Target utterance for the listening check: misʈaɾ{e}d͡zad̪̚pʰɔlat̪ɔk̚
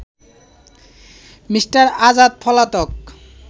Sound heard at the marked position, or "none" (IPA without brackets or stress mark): a